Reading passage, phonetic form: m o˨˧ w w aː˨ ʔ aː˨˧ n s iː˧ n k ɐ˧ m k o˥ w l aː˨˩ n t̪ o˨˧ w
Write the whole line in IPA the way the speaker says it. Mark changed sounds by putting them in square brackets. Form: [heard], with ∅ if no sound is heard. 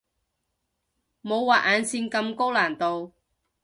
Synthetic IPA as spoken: m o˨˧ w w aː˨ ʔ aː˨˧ n s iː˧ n k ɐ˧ m k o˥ w l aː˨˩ n t̪ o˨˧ w